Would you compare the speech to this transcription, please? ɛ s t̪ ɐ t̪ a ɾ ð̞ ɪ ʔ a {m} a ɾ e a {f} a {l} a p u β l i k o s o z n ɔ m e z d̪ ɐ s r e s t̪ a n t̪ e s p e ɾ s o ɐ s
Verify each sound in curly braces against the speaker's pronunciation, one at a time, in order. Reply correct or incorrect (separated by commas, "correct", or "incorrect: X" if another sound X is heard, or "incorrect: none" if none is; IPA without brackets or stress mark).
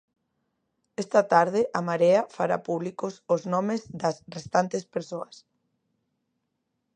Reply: correct, correct, incorrect: ɾ